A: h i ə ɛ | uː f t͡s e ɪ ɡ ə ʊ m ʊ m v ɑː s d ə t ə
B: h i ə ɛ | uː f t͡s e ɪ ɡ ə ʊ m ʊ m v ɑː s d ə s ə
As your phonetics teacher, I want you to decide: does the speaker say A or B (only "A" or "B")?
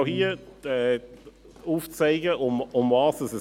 B